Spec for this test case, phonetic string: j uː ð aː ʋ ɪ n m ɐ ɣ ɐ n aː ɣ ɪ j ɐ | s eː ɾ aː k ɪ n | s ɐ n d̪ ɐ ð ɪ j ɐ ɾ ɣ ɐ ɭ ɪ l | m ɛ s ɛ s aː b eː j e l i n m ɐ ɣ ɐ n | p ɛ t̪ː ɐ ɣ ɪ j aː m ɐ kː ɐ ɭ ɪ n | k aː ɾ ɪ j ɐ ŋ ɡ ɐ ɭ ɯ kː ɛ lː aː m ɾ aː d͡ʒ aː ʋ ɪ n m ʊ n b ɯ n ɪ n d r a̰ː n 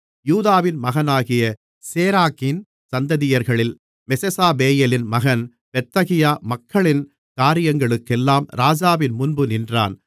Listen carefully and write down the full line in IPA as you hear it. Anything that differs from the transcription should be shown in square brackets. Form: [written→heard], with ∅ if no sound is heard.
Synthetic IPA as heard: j uː ð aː ʋ ɪ n m ɐ ɣ ɐ n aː ɣ ɪ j ɐ | s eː ɾ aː k ɪ n | s ɐ n d̪ ɐ ð ɪ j ɐ ɾ ɣ ɐ ɭ ɪ l | m ɛ s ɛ s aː b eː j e l [i→ɪ] n m ɐ ɣ ɐ n | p ɛ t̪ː ɐ ɣ ɪ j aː m ɐ kː ɐ ɭ ɪ n | k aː ɾ ɪ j ɐ ŋ ɡ ɐ ɭ ɯ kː ɛ lː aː m ɾ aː d͡ʒ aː ʋ ɪ n m ʊ n b ɯ n ɪ n d r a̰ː n

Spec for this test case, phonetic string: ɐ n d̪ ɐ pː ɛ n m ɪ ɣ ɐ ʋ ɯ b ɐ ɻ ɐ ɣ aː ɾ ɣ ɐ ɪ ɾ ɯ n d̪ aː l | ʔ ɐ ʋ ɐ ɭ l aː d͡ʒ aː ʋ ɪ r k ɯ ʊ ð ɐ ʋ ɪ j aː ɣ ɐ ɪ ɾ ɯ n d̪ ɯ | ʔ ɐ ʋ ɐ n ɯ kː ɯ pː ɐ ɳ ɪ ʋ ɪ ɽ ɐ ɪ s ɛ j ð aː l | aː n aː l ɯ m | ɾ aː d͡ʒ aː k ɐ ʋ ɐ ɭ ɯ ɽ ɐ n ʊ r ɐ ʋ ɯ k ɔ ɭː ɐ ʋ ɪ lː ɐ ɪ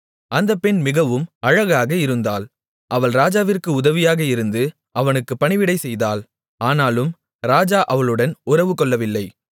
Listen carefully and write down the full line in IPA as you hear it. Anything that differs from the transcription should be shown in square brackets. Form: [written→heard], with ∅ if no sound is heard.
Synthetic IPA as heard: ɐ n d̪ ɐ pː ɛ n m ɪ ɣ ɐ ʋ ɯ [b→m] ɐ ɻ ɐ ɣ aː [ɾ→∅] ɣ ɐ ɪ ɾ ɯ n d̪ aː l | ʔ ɐ ʋ ɐ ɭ [l→ɾ] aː d͡ʒ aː ʋ ɪ r k ɯ ʊ ð ɐ ʋ ɪ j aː ɣ ɐ ɪ ɾ ɯ n d̪ ɯ | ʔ ɐ ʋ ɐ n ɯ kː ɯ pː ɐ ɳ ɪ ʋ ɪ ɽ ɐ ɪ s ɛ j ð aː l | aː n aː l ɯ m | ɾ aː d͡ʒ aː [k→ʔ] ɐ ʋ ɐ ɭ ɯ ɽ ɐ n ʊ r ɐ ʋ ɯ k ɔ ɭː ɐ ʋ ɪ lː ɐ ɪ

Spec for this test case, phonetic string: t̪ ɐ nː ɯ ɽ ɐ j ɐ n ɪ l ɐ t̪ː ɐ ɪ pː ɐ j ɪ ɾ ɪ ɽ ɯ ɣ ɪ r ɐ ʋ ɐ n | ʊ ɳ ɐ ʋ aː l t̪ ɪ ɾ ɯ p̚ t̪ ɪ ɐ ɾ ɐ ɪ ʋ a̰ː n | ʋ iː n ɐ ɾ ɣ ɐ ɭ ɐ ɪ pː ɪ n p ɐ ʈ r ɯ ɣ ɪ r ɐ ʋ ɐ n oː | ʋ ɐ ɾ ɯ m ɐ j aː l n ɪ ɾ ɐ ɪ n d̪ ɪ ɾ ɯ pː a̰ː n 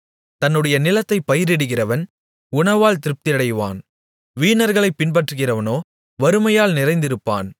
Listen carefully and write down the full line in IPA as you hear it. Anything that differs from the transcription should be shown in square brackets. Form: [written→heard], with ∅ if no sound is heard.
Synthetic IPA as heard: t̪ ɐ nː ɯ ɽ ɐ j ɐ n ɪ l ɐ t̪ː ɐ ɪ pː ɐ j ɪ ɾ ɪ ɽ ɯ ɣ ɪ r ɐ ʋ ɐ n | ʊ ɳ ɐ ʋ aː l t̪ ɪ ɾ ɯ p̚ t̪ ɪ ɐ [ɾ→ɽ] ɐ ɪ ʋ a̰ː n | ʋ iː n ɐ ɾ ɣ ɐ ɭ ɐ ɪ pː ɪ n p ɐ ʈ r ɯ ɣ ɪ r ɐ ʋ ɐ n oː | ʋ ɐ ɾ ɯ m ɐ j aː l n ɪ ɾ ɐ ɪ n d̪ ɪ ɾ ɯ pː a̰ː n

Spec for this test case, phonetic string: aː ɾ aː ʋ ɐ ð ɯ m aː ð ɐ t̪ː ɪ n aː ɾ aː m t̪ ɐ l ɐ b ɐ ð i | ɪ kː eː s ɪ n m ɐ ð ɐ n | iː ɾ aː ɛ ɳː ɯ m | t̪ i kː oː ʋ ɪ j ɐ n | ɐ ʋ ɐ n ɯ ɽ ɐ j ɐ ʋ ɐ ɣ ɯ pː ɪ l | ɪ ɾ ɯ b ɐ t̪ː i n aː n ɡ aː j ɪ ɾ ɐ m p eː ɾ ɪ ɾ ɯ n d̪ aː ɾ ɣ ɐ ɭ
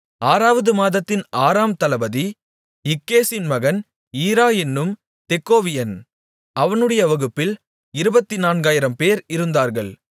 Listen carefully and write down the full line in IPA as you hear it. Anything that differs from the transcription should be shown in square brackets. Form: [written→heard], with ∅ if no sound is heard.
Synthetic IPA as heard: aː ɾ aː ʋ ɐ ð ɯ m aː ð ɐ t̪ː ɪ n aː ɾ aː m t̪ ɐ l ɐ b ɐ ð i | ɪ kː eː s ɪ n m ɐ [ð→ɣ] ɐ n | iː ɾ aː ɛ [ɳː→nː] ɯ m | t̪ [i→ɛ] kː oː ʋ ɪ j ɐ n | ɐ ʋ ɐ n ɯ ɽ ɐ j ɐ ʋ ɐ ɣ ɯ pː ɪ l | ɪ ɾ ɯ b ɐ t̪ː i n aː n ɡ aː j ɪ ɾ ɐ m p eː ɾ ɪ ɾ ɯ n d̪ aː ɾ ɣ ɐ ɭ

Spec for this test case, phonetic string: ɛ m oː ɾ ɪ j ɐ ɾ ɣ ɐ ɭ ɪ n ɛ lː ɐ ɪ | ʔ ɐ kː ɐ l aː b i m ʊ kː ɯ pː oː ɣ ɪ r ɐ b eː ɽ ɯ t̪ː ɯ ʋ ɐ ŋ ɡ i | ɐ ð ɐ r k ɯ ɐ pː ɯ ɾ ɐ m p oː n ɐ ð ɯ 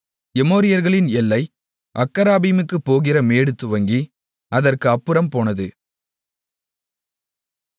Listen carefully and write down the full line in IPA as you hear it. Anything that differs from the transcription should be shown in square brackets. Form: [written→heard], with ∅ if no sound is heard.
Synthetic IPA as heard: ɛ m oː ɾ ɪ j ɐ ɾ ɣ ɐ ɭ ɪ n ɛ lː ɐ ɪ | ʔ ɐ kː ɐ [l→ɾ] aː b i m [ʊ→ɯ] kː ɯ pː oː ɣ ɪ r ɐ [b→m] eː ɽ ɯ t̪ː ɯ ʋ ɐ ŋ ɡ i | ɐ ð ɐ r k ɯ ɐ pː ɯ ɾ ɐ m p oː n ɐ ð ɯ

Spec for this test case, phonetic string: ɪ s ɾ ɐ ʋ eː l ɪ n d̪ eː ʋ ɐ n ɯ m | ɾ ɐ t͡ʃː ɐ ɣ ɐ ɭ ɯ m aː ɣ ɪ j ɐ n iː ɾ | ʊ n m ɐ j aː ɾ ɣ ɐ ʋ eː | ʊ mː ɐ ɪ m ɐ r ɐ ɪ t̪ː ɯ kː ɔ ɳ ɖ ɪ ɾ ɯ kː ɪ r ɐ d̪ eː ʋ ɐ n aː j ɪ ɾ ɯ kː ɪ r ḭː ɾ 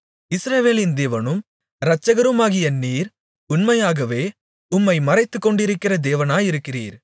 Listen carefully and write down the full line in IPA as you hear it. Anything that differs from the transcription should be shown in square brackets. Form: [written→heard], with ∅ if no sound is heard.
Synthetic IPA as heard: ɪ s ɾ ɐ ʋ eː l ɪ n d̪ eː ʋ ɐ n ɯ m | ɾ ɐ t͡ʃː ɐ ɣ ɐ [ɭ→ɾ] ɯ m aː ɣ ɪ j ɐ n iː ɾ | ʊ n m ɐ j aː [ɾ→∅] ɣ ɐ ʋ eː | ʊ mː ɐ ɪ m ɐ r ɐ ɪ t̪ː ɯ kː ɔ ɳ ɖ ɪ ɾ ɯ kː ɪ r ɐ d̪ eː ʋ ɐ n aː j ɪ ɾ ɯ kː ɪ r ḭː ɾ

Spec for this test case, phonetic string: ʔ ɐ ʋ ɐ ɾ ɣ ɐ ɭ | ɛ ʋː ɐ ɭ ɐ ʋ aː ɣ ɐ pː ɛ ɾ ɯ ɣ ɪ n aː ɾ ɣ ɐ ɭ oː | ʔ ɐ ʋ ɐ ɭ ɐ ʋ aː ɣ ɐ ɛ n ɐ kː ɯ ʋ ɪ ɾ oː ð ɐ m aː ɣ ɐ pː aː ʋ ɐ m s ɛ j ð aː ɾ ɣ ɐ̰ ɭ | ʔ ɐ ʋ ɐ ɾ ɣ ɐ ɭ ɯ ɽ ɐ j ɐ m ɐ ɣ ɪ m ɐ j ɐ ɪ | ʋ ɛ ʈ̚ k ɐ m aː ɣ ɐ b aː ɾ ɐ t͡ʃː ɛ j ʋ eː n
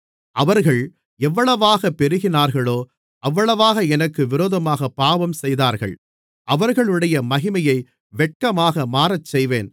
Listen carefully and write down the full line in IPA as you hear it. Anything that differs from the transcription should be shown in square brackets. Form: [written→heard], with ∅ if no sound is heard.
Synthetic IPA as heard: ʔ ɐ ʋ ɐ ɾ ɣ ɐ ɭ | ɛ ʋː ɐ ɭ ɐ ʋ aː ɣ ɐ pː ɛ ɾ ɯ ɣ ɪ n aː ɾ ɣ ɐ ɭ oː | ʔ ɐ [ʋ→ʋː] ɐ ɭ ɐ ʋ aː ɣ ɐ ɛ n ɐ kː ɯ ʋ ɪ ɾ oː ð ɐ m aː ɣ ɐ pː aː ʋ ɐ m s ɛ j ð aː ɾ ɣ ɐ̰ ɭ | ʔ ɐ ʋ ɐ ɾ ɣ ɐ ɭ ɯ ɽ ɐ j ɐ m ɐ ɣ ɪ m ɐ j ɐ ɪ | ʋ ɛ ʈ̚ k ɐ m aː ɣ ɐ [b→m] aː ɾ ɐ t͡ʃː ɛ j ʋ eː n

